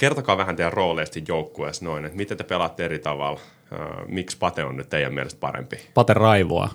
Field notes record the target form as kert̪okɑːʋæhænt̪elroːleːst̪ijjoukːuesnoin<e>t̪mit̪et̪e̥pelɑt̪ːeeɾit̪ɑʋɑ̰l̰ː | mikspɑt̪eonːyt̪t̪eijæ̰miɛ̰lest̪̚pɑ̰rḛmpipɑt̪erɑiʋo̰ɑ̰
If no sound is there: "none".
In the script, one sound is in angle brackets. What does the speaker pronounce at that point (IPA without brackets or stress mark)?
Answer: e